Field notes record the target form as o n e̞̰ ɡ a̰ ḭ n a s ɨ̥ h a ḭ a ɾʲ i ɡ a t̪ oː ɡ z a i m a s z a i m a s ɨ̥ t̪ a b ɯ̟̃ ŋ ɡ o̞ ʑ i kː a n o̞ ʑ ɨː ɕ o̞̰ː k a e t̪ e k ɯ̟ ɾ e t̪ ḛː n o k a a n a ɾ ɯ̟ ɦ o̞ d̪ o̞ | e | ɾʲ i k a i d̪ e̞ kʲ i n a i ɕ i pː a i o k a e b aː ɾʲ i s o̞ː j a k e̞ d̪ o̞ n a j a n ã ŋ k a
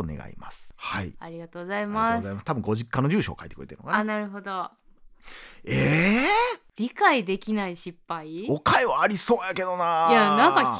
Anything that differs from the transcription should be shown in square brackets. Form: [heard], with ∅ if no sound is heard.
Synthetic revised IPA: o n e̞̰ ɡ a̰ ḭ [m] a s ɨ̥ h a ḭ a ɾʲ i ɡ a t̪ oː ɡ z a i m a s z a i m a s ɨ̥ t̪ a b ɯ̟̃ ŋ ɡ o̞ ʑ i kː a n o̞ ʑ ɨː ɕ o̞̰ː k a [i] t̪ e k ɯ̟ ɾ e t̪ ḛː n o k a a n a ɾ ɯ̟ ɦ o̞ d̪ o̞ | e | ɾʲ i k a i d̪ e̞ kʲ i n a i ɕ i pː a i o k a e [β] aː ɾʲ i s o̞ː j a k e̞ d̪ o̞ n a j a n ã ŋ k a